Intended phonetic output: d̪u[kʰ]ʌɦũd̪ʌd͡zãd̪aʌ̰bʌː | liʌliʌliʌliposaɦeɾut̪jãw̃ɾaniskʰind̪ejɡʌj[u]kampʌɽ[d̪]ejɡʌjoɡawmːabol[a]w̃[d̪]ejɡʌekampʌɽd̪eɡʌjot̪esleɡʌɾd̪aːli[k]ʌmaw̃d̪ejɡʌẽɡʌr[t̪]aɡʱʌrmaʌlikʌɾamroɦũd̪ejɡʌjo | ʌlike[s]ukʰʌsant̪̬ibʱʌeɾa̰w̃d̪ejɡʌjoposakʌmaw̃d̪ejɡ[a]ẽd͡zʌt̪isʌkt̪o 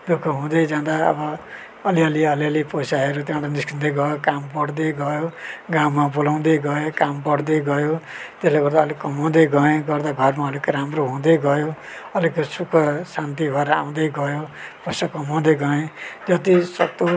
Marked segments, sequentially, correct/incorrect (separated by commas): correct, incorrect, correct, correct, correct, correct, incorrect, correct, incorrect